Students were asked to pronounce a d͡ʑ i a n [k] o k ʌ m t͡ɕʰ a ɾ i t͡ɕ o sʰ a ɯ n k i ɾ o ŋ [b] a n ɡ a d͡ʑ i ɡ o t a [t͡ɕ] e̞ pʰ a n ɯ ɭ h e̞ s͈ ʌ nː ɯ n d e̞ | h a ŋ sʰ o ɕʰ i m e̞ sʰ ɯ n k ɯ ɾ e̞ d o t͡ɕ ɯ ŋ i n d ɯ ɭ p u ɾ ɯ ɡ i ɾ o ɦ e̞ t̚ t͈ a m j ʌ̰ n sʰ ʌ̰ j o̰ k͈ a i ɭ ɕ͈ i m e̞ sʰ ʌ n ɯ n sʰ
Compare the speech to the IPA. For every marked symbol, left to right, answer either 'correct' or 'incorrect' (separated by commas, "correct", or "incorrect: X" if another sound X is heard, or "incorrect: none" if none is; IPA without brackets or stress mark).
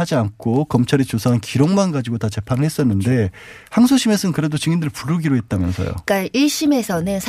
incorrect: kʰ, incorrect: m, correct